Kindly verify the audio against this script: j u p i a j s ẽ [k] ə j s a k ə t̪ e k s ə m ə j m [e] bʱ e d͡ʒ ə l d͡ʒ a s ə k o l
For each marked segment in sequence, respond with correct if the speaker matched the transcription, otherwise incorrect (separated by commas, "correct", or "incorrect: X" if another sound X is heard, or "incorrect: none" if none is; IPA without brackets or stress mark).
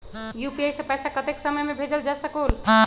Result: incorrect: p, correct